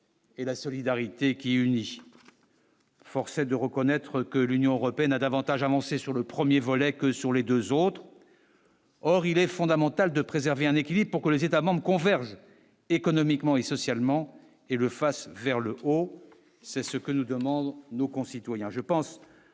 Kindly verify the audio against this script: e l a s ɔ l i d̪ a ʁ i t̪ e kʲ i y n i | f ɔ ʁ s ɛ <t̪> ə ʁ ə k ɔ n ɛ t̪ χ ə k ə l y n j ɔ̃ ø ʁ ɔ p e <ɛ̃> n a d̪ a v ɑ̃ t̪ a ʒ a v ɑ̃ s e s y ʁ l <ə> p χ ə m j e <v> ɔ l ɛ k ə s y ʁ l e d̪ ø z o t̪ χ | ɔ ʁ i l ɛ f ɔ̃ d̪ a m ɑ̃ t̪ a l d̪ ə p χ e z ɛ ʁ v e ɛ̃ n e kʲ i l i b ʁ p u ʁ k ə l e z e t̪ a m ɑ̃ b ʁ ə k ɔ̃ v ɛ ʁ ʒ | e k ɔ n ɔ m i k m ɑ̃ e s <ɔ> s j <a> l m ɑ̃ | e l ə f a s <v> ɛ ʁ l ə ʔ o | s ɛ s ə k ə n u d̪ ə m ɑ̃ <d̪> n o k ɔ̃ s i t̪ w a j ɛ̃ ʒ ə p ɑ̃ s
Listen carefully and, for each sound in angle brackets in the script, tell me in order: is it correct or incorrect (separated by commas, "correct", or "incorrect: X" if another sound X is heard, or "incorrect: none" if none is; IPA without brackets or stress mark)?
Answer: incorrect: d̪, incorrect: ɛ, correct, correct, correct, correct, correct, correct